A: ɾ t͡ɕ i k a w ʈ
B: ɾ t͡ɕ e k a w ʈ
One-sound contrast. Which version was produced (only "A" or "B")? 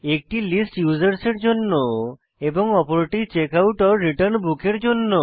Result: B